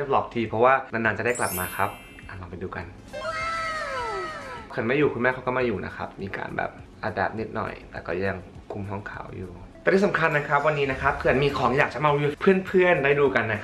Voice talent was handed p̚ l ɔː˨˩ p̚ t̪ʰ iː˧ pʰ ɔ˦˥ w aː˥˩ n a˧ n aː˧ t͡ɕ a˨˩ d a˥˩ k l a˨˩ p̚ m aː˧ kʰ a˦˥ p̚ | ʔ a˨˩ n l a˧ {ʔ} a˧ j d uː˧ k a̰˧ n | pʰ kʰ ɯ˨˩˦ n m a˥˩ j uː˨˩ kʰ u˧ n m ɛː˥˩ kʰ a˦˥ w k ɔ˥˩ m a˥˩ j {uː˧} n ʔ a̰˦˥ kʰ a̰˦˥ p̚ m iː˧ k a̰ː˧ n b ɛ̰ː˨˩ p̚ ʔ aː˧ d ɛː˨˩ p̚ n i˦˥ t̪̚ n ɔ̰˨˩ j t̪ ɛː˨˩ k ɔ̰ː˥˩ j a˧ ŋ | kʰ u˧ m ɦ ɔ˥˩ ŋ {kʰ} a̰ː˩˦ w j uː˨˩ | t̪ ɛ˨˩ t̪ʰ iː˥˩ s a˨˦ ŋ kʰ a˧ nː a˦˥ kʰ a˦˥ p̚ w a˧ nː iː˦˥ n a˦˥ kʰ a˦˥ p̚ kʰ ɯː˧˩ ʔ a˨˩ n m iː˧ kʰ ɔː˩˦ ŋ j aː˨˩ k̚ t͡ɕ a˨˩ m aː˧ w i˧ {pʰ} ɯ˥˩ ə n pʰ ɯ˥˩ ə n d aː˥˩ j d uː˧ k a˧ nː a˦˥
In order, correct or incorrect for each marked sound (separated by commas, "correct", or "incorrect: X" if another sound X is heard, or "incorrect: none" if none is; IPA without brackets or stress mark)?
incorrect: p, incorrect: uː˨˩, correct, correct